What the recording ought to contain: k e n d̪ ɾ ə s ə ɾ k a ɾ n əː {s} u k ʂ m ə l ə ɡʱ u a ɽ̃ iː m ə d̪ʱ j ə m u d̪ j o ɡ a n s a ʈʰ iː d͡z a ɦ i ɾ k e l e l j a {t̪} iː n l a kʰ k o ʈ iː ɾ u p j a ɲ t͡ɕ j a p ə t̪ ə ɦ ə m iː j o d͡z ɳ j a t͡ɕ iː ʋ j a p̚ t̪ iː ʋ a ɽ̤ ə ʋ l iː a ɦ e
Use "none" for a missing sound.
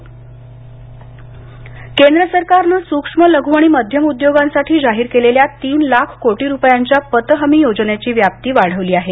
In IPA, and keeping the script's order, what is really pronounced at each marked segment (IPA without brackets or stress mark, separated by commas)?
s, t̪